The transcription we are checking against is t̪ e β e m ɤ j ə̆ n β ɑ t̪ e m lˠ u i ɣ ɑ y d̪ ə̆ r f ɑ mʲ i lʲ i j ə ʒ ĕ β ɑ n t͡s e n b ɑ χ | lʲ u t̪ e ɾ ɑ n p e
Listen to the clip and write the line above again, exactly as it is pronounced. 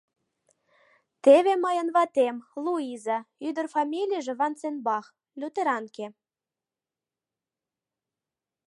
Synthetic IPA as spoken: t̪ e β e m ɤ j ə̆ n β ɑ t̪ e m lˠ u i z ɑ y d̪ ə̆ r f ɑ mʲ i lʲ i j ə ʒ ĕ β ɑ n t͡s e n b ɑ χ | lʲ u t̪ e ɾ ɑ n k e